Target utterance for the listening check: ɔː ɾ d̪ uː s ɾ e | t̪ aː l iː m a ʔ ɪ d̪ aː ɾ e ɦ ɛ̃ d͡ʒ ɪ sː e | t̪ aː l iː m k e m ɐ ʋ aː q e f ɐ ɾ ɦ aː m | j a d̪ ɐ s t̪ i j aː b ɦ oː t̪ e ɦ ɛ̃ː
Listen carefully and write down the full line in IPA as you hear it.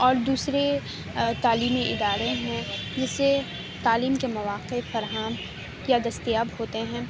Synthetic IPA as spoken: ɔː ɾ d̪ uː s ɾ e | t̪ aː l iː m i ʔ ɪ d̪ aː ɾ e ɦ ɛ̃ d͡ʒ ɪ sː e | t̪ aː l iː m k e m ɐ ʋ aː q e f ɐ ɾ ɦ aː m | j a d̪ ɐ s t̪ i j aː b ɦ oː t̪ e ɦ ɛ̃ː